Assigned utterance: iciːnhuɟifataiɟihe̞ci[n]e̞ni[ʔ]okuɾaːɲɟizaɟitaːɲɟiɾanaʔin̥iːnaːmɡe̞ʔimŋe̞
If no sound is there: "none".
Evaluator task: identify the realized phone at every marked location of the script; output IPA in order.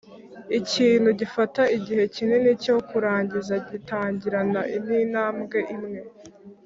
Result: n, c

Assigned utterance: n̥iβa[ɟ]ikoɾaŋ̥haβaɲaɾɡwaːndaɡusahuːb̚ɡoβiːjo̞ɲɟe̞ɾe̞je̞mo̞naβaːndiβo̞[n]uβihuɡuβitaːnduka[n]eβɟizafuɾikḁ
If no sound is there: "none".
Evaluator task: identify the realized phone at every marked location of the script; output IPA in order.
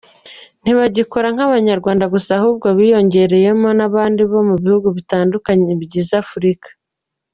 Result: ɟ, m, ɲ

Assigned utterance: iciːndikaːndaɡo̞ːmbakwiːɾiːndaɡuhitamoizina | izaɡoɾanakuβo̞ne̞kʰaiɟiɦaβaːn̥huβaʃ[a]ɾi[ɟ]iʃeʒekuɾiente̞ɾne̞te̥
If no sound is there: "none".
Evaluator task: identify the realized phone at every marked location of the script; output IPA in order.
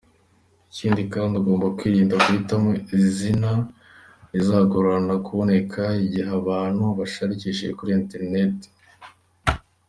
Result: a, c

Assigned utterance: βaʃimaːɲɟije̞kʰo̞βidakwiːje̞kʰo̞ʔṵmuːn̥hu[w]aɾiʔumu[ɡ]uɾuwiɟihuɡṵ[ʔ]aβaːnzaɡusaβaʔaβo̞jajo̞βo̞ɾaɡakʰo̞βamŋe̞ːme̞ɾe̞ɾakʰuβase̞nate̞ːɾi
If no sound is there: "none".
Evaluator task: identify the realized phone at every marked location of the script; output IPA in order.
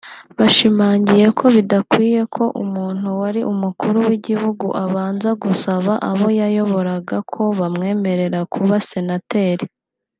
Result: w, k, ʔ

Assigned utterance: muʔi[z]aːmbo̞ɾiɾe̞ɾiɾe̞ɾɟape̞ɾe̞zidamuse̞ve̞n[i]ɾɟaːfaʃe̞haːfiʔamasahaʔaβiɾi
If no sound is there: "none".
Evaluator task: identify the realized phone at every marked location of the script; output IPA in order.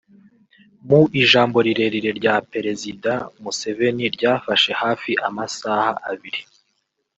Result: ʒ, i

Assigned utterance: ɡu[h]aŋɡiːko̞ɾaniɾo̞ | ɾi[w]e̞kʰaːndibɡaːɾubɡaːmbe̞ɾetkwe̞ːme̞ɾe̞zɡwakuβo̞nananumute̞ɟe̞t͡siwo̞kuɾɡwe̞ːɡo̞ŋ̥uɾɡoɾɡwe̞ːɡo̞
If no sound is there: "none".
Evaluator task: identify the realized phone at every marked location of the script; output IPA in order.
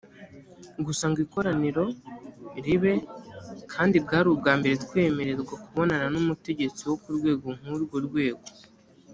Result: s, β

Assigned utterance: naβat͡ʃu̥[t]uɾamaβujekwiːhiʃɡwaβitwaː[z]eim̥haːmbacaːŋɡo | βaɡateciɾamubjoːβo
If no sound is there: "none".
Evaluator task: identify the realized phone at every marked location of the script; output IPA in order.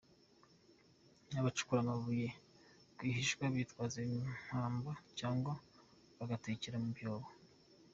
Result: k, z

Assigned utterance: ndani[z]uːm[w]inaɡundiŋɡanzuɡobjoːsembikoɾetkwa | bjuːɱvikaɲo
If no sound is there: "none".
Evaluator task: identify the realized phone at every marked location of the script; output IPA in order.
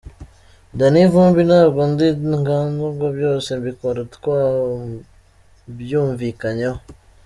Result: v, b

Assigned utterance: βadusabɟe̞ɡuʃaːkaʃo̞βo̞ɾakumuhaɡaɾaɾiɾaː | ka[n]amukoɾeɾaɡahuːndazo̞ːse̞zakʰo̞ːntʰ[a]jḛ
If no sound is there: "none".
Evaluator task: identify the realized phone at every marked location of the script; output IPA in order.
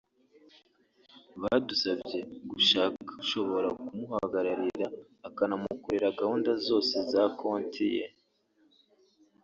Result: n, i

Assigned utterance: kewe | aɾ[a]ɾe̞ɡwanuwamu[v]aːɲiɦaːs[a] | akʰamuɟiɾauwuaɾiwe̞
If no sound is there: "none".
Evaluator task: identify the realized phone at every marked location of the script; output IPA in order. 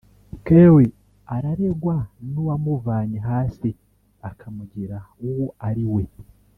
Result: a, v, i

